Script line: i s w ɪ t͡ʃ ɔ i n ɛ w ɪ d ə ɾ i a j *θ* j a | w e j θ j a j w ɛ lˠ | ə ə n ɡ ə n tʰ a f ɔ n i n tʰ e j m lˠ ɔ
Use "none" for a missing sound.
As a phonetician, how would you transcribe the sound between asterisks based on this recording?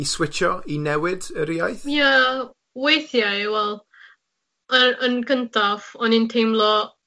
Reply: θ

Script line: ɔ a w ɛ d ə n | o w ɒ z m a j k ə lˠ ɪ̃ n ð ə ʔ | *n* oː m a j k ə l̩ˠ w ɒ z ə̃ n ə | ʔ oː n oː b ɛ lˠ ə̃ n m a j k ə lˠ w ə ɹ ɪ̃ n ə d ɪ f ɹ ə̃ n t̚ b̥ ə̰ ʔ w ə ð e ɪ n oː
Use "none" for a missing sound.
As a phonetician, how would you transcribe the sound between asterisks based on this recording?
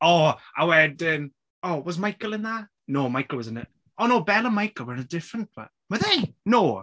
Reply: n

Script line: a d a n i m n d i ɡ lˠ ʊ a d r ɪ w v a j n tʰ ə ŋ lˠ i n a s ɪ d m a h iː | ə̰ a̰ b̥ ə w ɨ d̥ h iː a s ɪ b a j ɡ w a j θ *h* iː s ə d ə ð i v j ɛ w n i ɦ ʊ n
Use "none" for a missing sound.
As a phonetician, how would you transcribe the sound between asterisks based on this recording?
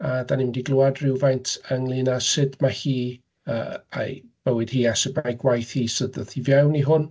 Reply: h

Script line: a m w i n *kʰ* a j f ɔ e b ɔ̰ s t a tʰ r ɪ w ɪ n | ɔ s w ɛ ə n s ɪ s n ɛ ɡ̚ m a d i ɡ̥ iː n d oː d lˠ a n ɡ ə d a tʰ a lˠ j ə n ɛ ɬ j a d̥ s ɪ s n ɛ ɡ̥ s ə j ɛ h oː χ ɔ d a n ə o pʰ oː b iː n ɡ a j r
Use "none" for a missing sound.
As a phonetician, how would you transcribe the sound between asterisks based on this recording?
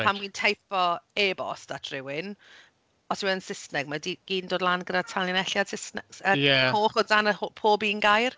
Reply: tʰ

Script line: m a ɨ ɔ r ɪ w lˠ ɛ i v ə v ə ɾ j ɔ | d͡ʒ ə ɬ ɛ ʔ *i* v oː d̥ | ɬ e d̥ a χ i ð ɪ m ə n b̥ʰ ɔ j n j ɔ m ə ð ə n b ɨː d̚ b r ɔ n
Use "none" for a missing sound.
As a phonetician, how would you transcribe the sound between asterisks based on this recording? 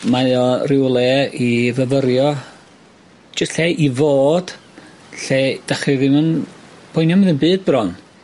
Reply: i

